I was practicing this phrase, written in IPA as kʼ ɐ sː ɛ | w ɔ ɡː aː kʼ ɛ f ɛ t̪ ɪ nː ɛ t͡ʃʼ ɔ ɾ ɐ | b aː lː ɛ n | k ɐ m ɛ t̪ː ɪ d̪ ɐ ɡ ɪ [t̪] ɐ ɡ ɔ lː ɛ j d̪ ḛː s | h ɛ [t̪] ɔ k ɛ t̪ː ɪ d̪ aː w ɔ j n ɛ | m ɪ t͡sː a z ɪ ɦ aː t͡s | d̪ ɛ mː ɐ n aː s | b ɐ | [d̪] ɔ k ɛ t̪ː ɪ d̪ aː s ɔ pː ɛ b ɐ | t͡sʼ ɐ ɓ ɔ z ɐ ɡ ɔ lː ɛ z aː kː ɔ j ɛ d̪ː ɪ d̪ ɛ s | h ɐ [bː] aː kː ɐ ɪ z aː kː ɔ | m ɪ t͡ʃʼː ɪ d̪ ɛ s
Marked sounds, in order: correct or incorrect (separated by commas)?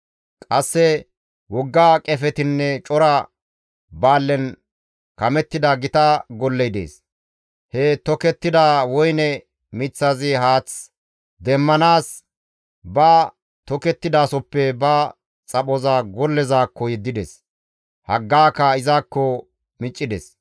correct, correct, incorrect, incorrect